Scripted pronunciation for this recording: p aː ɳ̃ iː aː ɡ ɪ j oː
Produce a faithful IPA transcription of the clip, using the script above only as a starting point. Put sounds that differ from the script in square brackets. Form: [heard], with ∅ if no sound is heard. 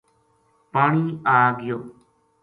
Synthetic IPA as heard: p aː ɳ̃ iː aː ɡ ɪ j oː